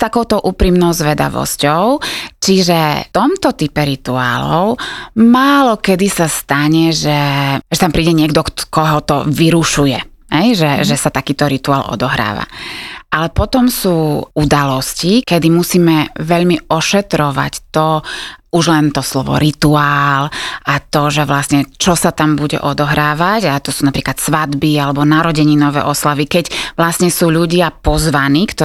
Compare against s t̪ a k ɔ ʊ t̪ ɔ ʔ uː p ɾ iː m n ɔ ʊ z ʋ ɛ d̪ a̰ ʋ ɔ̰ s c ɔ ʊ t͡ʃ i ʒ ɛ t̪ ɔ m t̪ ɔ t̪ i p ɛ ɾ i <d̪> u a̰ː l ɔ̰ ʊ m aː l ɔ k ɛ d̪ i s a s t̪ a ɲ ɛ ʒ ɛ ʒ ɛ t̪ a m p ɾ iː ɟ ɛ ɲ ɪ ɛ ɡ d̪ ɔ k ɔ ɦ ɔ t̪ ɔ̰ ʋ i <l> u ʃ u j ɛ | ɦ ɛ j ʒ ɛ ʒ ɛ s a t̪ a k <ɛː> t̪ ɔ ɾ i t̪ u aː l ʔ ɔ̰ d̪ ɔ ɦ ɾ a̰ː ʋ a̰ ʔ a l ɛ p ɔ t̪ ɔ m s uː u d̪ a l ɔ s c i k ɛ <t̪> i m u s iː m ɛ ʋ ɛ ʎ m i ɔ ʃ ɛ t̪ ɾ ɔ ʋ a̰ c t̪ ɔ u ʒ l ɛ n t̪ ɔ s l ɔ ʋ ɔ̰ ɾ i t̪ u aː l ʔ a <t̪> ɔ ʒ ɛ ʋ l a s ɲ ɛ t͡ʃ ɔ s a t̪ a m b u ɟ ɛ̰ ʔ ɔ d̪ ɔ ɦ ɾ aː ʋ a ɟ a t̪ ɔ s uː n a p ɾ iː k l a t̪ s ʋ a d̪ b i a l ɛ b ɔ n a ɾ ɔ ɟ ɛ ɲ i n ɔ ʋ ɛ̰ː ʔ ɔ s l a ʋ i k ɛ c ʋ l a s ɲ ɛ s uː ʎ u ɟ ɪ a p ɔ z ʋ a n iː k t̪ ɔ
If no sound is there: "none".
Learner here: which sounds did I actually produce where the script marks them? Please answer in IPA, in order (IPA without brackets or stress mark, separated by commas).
t̪, ɾ, iː, d̪, t̪